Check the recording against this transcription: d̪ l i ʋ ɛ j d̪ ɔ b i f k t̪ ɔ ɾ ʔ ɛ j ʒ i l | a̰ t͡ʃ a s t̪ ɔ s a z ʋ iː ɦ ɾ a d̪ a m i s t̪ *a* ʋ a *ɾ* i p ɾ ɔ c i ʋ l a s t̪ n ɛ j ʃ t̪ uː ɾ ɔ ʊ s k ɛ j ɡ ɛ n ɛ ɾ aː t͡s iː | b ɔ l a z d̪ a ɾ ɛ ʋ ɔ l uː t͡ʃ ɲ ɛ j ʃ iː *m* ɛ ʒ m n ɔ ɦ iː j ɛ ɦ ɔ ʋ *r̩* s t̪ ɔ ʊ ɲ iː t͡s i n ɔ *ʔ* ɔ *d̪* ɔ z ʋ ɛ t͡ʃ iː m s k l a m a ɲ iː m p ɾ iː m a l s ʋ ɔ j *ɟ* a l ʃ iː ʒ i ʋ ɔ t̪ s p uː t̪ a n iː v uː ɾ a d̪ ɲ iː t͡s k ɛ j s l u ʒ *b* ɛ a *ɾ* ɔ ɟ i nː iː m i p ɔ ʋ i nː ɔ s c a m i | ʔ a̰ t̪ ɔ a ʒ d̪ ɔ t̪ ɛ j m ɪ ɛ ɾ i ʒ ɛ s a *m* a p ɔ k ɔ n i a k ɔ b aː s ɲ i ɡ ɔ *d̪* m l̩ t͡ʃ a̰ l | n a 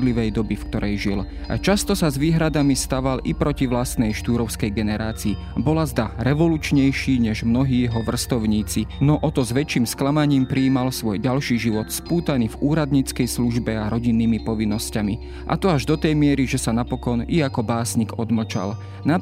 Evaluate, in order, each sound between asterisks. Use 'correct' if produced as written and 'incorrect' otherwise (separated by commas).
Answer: correct, incorrect, incorrect, correct, correct, incorrect, correct, correct, correct, incorrect, correct